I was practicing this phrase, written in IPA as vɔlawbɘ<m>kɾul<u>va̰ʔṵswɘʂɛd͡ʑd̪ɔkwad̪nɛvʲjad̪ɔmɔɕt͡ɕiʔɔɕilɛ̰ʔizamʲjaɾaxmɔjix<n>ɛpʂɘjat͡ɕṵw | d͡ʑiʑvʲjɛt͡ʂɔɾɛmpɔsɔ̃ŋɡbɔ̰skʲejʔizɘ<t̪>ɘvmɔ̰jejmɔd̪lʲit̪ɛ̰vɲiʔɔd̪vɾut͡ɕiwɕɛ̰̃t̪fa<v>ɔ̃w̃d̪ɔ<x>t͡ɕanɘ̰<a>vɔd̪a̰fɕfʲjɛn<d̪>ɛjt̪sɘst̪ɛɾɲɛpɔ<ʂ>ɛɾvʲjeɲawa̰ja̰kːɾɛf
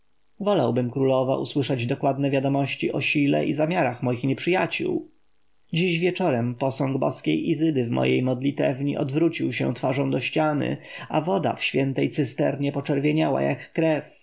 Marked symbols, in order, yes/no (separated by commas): yes, no, no, no, no, no, yes, no, no